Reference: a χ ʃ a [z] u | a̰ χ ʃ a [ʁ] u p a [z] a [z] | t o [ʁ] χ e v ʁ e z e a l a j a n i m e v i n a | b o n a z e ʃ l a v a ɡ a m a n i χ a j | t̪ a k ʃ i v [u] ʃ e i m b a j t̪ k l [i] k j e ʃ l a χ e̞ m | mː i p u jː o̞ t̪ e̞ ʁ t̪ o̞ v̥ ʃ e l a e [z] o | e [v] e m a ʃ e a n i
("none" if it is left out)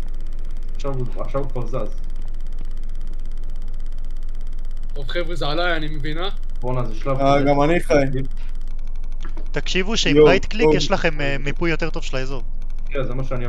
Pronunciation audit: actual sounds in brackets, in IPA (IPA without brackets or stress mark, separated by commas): v, v, z, z, v, u, i, z, z